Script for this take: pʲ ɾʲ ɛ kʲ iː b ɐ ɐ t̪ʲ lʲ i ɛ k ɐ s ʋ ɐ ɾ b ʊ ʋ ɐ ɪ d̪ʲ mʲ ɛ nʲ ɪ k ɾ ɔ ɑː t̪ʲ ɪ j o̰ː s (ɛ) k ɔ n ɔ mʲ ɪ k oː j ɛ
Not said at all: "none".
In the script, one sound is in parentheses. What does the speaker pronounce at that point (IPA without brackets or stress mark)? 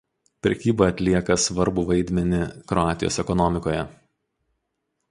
ɛ